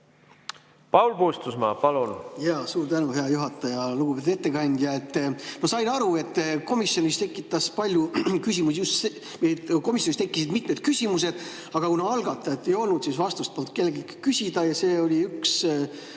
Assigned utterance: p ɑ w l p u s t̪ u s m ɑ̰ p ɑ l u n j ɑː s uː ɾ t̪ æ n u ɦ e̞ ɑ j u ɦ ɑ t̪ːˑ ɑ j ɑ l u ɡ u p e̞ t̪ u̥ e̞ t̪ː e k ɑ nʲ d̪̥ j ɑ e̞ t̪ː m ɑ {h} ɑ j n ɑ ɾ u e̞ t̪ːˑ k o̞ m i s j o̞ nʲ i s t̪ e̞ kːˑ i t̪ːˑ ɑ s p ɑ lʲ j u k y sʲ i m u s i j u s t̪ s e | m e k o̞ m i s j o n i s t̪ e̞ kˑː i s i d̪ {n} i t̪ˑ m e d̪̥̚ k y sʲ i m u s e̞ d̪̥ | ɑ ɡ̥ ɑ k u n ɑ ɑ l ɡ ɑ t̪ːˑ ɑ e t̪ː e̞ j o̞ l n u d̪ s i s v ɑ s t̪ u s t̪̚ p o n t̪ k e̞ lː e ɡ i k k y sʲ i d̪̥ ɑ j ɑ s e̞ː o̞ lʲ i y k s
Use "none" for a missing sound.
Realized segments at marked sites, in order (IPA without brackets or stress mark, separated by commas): s, m